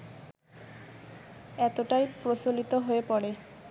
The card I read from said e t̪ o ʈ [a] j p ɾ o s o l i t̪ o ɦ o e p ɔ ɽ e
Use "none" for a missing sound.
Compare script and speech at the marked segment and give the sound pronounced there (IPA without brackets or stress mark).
a